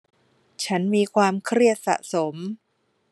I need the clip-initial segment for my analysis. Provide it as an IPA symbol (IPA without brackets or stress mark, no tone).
t͡ɕʰ